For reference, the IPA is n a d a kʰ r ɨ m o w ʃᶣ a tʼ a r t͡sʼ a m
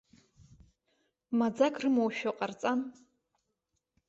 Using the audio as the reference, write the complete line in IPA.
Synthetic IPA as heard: m a d͡z a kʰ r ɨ m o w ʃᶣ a qʼ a r t͡sʼ a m